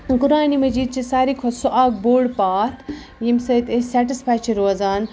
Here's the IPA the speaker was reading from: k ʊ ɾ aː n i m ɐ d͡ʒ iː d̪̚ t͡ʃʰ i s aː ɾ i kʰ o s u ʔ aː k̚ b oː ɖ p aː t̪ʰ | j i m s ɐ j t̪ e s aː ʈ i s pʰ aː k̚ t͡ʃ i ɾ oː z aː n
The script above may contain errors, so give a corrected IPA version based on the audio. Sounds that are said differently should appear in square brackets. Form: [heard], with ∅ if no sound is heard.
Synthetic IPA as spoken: k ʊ ɾ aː n i m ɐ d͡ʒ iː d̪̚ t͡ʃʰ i s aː ɾ i kʰ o s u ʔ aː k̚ b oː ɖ p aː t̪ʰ | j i m s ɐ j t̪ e s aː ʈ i s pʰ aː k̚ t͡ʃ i ɾ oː z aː n